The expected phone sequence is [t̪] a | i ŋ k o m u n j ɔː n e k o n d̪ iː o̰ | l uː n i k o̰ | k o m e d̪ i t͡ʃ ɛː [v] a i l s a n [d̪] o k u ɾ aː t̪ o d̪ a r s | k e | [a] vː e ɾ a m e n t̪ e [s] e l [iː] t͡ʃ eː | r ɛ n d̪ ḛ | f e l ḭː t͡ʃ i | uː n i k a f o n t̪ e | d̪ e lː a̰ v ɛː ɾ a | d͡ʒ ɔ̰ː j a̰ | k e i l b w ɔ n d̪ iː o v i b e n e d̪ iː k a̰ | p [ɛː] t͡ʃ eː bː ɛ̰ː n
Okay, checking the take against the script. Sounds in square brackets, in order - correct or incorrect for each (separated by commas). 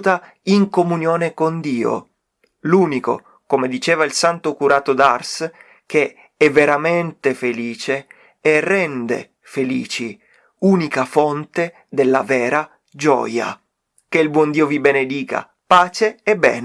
correct, correct, incorrect, incorrect, incorrect, correct, incorrect